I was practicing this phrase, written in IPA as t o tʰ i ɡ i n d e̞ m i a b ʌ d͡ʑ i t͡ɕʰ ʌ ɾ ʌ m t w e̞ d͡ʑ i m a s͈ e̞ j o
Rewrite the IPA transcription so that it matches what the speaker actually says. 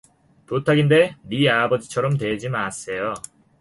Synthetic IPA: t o tʰ a ɡ i n d e̞ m i a b ʌ d͡ʑ i t͡ɕʰ ʌ ɾ ʌ m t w e̞ d͡ʑ i m a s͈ e̞ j o